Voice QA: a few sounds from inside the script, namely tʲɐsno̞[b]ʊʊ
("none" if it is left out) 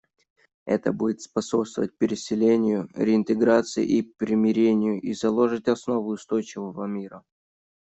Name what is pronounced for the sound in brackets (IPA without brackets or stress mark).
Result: v